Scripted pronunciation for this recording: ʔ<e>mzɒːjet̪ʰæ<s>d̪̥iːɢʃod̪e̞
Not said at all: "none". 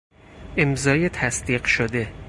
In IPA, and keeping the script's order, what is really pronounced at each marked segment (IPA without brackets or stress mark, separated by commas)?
e, s